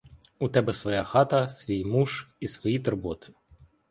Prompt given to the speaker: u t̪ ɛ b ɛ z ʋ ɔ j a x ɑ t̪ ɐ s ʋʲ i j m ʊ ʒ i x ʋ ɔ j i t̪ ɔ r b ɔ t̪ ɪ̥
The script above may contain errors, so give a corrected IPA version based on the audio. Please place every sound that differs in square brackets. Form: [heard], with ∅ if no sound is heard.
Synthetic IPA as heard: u t̪ ɛ b ɛ [s] ʋ ɔ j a x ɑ t̪ ɐ s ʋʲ i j m [u] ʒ i [s] ʋ ɔ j i t̪ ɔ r b ɔ t̪ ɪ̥